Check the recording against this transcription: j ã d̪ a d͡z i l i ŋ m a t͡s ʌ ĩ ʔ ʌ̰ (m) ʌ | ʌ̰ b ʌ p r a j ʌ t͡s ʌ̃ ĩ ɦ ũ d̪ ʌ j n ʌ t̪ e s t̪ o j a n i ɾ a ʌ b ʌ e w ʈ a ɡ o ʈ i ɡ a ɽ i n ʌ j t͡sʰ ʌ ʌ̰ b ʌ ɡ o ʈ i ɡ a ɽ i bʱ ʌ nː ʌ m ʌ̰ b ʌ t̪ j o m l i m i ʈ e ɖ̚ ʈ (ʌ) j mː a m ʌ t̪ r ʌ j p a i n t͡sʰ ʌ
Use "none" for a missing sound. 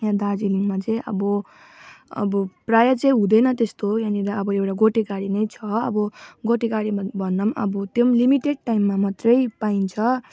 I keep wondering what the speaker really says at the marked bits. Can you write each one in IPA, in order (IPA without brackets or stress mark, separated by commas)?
b, a